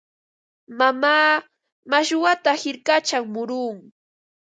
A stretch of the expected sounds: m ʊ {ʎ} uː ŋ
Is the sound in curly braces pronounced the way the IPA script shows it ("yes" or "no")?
no